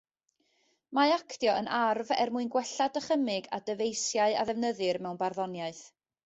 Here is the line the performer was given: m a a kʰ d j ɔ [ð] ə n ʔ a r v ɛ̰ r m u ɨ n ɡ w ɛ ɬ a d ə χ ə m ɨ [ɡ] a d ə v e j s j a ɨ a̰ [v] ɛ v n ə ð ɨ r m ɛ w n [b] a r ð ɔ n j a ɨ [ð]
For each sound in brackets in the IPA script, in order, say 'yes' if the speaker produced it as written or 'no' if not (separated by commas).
no, yes, no, yes, no